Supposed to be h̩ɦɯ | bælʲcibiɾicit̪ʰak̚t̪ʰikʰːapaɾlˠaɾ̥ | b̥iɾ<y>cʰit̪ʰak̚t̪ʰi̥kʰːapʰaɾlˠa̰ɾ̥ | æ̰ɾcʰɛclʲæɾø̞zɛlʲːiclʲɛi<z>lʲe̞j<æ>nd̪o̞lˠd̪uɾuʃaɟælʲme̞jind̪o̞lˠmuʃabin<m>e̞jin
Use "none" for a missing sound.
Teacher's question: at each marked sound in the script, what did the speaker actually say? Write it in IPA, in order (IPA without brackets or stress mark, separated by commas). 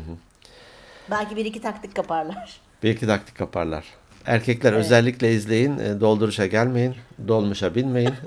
i, z, i, m